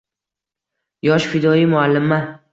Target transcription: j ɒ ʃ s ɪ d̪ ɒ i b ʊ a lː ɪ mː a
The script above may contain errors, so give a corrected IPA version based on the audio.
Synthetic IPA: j ɒ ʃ f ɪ d̪ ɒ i m ʊ a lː ɪ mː a